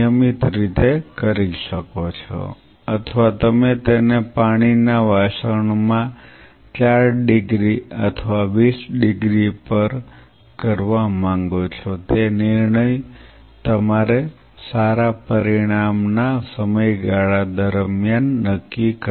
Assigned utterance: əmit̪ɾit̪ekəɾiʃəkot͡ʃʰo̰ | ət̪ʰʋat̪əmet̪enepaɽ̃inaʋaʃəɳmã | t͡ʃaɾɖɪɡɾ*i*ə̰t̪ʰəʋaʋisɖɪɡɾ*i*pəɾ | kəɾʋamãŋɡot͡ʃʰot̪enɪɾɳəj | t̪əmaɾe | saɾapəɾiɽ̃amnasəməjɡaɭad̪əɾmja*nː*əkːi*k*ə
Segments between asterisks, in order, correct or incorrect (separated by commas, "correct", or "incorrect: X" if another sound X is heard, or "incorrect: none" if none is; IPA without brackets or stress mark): correct, correct, correct, correct